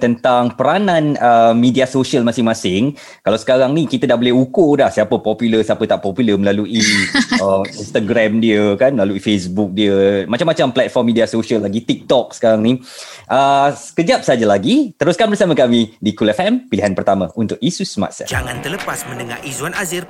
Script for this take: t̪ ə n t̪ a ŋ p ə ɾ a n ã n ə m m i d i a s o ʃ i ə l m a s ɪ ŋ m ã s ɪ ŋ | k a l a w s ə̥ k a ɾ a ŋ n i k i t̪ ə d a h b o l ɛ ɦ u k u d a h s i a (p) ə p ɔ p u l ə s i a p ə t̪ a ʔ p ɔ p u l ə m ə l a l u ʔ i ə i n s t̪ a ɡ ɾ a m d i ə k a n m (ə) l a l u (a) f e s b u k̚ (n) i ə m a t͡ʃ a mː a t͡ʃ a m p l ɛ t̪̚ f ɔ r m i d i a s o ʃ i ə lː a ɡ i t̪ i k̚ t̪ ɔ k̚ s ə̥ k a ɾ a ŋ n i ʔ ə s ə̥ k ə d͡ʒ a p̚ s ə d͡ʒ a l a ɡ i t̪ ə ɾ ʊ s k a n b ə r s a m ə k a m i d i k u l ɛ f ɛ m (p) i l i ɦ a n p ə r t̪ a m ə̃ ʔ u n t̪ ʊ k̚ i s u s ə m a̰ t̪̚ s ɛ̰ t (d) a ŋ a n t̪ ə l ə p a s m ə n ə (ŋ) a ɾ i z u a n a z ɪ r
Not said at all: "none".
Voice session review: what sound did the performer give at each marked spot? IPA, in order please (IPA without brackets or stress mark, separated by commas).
p, ə, i, d, p, d͡ʒ, ŋ